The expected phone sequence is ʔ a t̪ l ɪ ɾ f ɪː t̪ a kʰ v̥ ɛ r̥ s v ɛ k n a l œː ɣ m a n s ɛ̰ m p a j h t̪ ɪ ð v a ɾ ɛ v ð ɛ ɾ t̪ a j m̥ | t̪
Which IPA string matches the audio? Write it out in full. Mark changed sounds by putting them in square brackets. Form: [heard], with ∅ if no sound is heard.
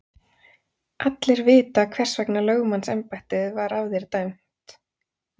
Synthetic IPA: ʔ a t̪ l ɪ ɾ [v] ɪː t̪ a kʰ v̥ ɛ r̥ s v ɛ k n a l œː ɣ m a n s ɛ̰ m p a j h t̪ ɪ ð v a ɾ [a] v ð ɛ ɾ t̪ a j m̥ | t̪